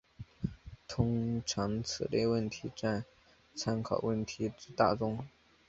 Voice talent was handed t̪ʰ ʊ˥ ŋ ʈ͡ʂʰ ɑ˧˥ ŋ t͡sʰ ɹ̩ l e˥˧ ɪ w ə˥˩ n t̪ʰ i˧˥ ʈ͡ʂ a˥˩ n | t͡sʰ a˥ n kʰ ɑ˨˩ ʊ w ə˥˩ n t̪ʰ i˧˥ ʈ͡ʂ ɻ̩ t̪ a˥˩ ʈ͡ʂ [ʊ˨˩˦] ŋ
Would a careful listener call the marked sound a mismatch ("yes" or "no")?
yes